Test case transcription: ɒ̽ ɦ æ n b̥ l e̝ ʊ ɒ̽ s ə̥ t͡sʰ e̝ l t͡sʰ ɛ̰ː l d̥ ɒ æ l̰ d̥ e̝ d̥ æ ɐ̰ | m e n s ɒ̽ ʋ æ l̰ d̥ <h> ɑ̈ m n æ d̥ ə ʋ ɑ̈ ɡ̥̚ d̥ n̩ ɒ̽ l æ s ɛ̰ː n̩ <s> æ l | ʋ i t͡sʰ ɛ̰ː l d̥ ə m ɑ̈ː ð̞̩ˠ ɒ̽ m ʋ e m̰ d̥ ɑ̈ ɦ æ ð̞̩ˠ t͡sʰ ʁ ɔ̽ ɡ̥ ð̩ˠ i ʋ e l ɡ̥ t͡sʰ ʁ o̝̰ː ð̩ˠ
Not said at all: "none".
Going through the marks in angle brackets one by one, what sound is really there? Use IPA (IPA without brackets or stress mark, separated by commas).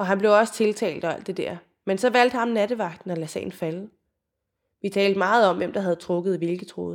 h, f